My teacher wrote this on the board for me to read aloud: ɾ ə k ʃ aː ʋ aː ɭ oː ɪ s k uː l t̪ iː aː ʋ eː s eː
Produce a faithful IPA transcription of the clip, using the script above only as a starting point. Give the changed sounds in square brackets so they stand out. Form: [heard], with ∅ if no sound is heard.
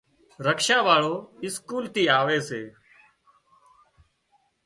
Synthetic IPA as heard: ɾ ə k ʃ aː ʋ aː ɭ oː ɪ s k uː l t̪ iː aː ʋ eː s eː